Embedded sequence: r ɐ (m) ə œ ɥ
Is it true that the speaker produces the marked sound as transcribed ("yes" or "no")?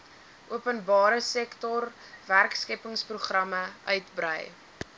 yes